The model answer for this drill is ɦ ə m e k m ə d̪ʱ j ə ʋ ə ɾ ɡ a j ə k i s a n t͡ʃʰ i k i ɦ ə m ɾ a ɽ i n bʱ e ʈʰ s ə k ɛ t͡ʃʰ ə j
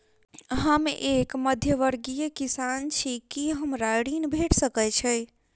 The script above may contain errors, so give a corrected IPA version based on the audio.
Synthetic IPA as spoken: ɦ ə m e k m ə d̪ʱ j ə ʋ ə ɾ ɡ i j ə k i s a n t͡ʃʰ i k i ɦ ə m ɾ a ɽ i n bʱ e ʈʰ s ə k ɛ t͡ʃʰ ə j